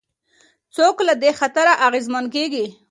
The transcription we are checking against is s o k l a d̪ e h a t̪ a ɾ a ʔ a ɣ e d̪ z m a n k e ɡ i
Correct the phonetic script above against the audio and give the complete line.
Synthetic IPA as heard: t͡s o k l a d̪ e x a t̪ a ɾ a ʔ a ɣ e z m a n k e ɡ i